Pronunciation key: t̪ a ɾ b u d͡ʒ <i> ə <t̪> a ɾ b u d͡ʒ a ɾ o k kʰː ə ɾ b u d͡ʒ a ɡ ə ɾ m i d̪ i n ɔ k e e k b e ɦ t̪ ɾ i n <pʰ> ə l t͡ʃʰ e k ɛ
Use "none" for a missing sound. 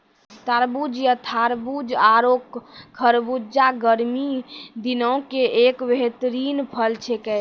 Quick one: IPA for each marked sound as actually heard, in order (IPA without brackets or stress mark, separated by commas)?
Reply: j, t̪ʰ, pʰ